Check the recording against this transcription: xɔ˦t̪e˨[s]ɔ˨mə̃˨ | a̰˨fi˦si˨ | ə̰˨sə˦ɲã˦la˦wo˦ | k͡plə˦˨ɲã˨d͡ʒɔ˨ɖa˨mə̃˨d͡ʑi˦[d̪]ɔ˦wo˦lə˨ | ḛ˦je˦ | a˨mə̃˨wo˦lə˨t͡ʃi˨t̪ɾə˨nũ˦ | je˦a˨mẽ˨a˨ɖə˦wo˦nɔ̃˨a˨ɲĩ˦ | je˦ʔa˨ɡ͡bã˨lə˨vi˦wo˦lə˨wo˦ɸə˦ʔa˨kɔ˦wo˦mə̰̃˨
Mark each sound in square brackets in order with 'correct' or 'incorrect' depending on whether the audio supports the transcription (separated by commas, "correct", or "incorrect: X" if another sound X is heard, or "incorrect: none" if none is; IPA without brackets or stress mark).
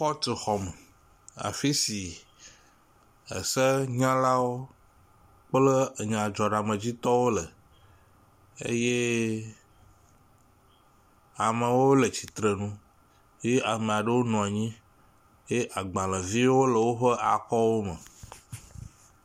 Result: incorrect: x, incorrect: t̪